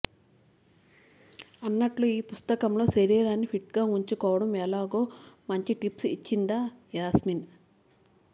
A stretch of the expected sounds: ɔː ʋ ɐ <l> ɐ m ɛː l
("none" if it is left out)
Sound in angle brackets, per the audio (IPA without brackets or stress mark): ɽ